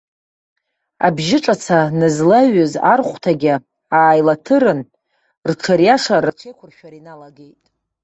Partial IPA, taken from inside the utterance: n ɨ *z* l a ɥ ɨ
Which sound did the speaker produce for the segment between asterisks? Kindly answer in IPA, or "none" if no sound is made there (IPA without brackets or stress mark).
z